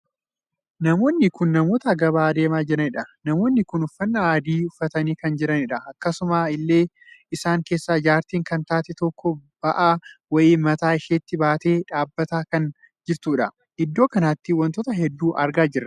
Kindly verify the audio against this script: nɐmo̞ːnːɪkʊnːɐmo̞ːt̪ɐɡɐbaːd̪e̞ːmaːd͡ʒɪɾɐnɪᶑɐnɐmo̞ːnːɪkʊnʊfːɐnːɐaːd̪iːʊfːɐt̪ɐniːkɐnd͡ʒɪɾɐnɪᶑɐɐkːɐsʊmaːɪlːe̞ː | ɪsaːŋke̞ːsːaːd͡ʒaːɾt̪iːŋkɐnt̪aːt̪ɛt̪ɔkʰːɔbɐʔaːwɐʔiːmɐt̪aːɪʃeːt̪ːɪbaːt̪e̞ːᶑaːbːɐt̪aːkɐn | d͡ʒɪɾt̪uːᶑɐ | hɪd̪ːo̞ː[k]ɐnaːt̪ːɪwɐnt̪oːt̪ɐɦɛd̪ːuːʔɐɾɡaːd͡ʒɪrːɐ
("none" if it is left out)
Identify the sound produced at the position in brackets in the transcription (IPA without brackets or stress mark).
k